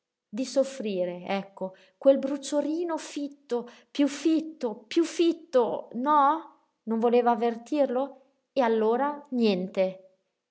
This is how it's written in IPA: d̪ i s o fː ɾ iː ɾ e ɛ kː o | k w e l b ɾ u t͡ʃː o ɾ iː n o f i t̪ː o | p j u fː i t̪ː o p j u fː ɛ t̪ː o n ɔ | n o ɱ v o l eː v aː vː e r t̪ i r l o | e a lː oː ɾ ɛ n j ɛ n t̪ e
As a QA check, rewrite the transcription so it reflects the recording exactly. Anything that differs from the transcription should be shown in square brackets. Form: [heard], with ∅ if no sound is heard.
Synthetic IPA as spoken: d̪ i s o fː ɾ iː ɾ e ɛ kː o | k w e l b ɾ u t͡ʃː o ɾ iː n o f i t̪ː o | p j u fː i t̪ː o p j u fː [i] t̪ː o n ɔ | n o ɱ v o l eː v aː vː e r t̪ i r l o | e a lː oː ɾ [a] n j ɛ n t̪ e

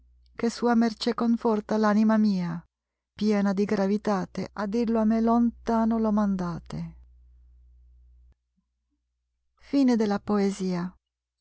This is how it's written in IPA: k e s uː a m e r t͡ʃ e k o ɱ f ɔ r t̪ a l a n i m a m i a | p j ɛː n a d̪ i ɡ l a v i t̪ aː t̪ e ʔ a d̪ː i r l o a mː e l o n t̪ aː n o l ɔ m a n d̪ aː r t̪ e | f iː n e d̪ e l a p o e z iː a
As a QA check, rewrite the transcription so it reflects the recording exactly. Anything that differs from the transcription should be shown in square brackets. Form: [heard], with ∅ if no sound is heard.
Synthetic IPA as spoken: k e s uː a m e r t͡ʃ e k o ɱ f ɔ r t̪ a l a n i m a m [iː] a | p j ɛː n a d̪ i ɡ [ɾ] a v i t̪ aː t̪ e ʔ a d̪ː i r l o a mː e l o n t̪ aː n o l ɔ m a n d̪ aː [∅] t̪ e | f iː n e d̪ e l a p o e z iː a

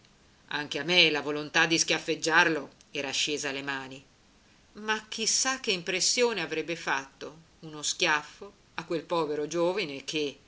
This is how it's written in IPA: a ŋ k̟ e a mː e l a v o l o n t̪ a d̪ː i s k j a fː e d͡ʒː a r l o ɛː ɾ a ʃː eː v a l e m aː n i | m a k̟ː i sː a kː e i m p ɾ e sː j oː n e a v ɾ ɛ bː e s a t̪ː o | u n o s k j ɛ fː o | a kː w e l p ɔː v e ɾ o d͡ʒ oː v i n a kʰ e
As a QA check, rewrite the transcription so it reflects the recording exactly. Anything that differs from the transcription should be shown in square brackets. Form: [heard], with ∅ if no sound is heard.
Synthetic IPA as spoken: a ŋ k̟ e a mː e l a v o l o n t̪ a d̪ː i s k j a fː e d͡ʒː a r l o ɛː ɾ a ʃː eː [z] a l e m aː n i | m a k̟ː i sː a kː e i m p ɾ e sː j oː n e a v ɾ ɛ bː e [f] a t̪ː o | u n o s k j [a] fː o | a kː w e l p ɔː v e ɾ o d͡ʒ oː v i n [e] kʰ e

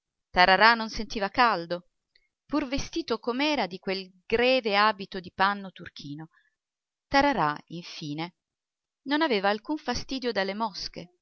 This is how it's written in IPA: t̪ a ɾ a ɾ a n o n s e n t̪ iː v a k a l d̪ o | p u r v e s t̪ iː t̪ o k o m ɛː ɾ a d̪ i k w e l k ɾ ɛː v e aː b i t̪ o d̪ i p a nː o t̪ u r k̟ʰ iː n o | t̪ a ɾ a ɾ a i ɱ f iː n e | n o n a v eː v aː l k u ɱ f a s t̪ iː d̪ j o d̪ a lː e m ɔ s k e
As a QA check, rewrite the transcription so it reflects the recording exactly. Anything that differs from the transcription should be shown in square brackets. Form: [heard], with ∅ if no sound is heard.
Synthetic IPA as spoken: t̪ a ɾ a ɾ a n o n s e n t̪ iː v a k a l d̪ o | p u r v e s t̪ iː t̪ o k o m ɛː ɾ a d̪ i k w e l [ɡ] ɾ ɛː v e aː b i t̪ o d̪ i p a nː o t̪ u r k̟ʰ iː n o | t̪ a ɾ a ɾ a i ɱ f iː n e | n o n a v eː v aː l k u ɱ f a s t̪ iː d̪ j o d̪ a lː e m ɔ s k e

